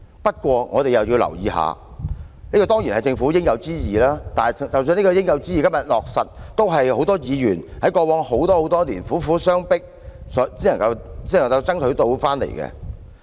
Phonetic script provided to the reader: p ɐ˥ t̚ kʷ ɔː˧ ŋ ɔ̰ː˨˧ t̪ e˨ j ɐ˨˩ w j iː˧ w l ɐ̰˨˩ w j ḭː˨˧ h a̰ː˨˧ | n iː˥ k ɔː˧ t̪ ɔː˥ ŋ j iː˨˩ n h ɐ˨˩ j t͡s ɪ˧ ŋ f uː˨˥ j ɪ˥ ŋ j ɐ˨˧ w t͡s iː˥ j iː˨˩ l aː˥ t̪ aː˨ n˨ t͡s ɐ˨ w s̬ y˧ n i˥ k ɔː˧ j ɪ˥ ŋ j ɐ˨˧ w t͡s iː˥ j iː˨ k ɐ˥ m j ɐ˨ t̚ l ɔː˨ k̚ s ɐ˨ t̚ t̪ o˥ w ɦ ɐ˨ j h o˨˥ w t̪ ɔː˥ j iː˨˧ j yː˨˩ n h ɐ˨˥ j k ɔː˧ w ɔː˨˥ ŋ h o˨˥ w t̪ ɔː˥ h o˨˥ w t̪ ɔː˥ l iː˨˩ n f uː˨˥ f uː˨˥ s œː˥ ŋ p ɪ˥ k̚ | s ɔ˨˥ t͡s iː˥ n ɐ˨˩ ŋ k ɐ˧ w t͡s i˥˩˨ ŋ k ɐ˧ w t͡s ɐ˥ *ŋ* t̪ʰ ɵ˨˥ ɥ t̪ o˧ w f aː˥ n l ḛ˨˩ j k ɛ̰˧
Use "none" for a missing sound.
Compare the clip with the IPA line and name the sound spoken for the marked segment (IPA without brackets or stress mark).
ŋ